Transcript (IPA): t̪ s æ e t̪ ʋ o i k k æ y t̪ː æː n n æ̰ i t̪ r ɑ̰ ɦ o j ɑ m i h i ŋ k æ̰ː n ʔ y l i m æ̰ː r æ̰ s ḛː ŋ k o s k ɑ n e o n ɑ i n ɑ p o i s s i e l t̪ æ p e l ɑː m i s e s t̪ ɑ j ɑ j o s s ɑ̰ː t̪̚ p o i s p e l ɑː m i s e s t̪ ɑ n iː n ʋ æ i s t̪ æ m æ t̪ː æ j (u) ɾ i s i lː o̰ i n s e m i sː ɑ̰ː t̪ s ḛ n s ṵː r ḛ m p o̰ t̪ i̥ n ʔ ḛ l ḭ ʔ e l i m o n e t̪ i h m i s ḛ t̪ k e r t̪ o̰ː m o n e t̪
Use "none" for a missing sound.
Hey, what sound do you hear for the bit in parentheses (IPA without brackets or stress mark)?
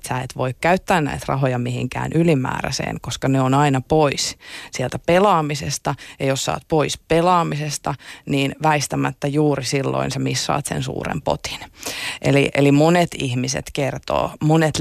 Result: uː